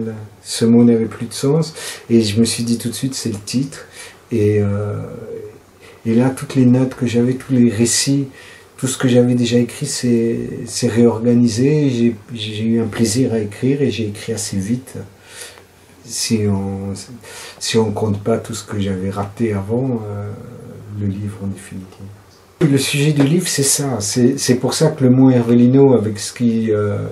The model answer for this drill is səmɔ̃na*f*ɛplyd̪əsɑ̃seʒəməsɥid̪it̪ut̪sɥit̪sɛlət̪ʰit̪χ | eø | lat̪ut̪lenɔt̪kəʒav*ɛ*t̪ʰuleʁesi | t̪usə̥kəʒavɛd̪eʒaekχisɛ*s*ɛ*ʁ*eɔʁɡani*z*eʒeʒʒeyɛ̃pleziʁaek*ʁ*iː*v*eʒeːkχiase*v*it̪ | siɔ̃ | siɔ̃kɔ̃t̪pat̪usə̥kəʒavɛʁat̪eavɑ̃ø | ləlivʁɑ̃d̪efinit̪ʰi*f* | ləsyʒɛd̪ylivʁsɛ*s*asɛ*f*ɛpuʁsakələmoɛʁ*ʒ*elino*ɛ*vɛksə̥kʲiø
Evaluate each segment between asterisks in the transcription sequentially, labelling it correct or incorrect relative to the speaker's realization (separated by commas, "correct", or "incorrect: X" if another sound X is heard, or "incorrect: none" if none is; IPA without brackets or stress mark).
incorrect: v, correct, correct, correct, correct, incorrect: χ, incorrect: ʁ, correct, incorrect: v, correct, incorrect: s, incorrect: v, incorrect: a